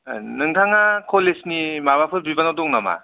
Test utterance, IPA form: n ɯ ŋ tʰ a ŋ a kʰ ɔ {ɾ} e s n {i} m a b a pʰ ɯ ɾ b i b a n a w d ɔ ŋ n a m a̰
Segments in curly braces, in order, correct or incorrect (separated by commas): incorrect, correct